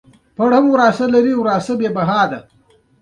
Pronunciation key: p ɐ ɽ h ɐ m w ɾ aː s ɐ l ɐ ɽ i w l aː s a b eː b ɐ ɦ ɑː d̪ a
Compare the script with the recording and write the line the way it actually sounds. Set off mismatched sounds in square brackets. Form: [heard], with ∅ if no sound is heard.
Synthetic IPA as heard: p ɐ ɽ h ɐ m w ɾ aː s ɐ l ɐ [ɾ] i w [ɾ] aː s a b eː b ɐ ɦ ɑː d̪ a